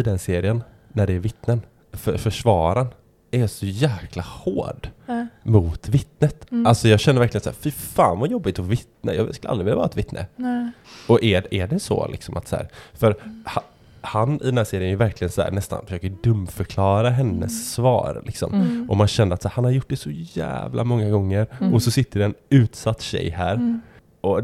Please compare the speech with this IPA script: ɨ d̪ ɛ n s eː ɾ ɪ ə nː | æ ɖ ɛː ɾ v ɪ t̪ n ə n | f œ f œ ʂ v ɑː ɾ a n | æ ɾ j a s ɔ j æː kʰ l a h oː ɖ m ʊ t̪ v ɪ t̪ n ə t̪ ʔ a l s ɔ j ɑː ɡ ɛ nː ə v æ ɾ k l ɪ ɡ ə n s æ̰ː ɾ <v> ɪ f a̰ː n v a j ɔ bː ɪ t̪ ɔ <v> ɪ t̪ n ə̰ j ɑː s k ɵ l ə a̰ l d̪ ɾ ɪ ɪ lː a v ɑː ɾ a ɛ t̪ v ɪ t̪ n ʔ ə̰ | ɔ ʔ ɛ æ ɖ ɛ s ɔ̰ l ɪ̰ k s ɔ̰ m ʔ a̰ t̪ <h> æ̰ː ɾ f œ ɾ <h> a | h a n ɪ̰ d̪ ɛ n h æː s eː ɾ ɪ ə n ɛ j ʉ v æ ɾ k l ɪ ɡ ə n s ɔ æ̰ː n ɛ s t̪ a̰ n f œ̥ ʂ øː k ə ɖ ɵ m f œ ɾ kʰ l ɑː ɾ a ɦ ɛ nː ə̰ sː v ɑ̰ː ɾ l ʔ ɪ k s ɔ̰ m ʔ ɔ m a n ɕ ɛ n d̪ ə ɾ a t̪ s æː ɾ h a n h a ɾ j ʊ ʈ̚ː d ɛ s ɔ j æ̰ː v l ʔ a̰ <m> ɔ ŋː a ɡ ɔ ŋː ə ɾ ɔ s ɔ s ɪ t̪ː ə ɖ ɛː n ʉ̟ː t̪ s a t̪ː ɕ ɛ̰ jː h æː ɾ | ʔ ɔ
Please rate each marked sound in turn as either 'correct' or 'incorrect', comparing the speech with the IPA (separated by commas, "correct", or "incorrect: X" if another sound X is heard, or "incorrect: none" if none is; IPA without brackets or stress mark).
incorrect: f, correct, incorrect: s, correct, correct